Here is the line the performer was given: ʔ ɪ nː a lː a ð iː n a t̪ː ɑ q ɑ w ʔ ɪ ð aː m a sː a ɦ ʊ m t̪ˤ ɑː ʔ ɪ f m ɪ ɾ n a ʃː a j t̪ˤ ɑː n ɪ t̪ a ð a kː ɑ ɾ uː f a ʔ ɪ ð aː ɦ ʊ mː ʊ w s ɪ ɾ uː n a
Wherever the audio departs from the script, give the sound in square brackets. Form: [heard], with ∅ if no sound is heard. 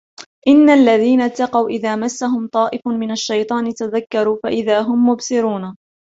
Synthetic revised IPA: ʔ ɪ nː a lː a ð iː n a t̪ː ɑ q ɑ w ʔ ɪ ð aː m a sː a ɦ ʊ m t̪ˤ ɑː ʔ ɪ f m ɪ [∅] n a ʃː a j t̪ˤ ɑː n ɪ t̪ a ð a kː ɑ ɾ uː f a ʔ ɪ ð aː ɦ ʊ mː ʊ [b] s ɪ ɾ uː n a